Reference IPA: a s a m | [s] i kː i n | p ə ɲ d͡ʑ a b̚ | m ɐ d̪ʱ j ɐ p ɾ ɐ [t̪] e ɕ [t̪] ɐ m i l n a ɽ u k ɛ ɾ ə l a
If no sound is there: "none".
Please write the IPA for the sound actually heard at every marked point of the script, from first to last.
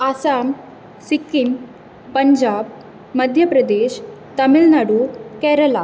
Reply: s, d̪, t̪

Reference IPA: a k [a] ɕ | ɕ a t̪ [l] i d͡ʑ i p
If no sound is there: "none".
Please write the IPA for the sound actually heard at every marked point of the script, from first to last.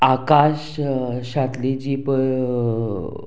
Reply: a, l

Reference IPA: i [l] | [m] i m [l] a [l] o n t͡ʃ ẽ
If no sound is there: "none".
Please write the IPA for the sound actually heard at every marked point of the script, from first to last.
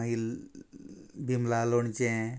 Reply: l, b, l, l

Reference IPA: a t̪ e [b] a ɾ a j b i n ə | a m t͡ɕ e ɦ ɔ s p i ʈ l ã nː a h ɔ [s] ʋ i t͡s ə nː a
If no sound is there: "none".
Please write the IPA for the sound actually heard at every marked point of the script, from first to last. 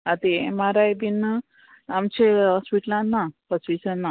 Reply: m, s

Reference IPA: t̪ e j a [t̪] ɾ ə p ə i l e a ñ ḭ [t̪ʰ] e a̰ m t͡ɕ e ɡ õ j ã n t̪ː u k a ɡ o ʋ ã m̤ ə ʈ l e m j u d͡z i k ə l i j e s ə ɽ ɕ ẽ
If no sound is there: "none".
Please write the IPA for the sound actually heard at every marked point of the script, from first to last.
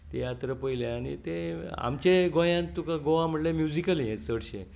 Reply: t̪, t̪

